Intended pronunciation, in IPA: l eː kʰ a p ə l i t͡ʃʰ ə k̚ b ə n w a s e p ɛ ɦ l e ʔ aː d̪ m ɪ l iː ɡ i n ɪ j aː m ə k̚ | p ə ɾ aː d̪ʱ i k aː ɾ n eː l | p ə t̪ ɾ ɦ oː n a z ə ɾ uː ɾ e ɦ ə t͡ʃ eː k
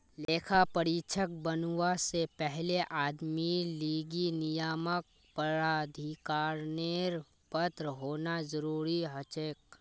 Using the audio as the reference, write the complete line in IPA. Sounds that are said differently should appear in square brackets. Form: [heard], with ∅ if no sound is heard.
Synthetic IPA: l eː kʰ a p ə [ɾ] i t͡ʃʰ ə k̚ b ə n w a s e p ɛ ɦ l e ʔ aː d̪ m [i] l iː ɡ i n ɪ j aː m ə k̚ | p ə ɾ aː d̪ʱ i k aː ɾ n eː [ɾ] | p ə t̪ ɾ ɦ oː n a z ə ɾ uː ɾ [i] ɦ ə t͡ʃ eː k